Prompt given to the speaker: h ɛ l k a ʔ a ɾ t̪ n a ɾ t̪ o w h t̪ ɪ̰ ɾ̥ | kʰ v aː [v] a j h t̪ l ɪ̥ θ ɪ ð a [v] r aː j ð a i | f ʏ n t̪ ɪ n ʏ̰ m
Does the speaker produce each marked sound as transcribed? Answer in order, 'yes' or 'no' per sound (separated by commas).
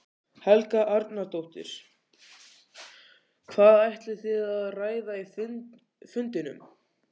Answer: no, no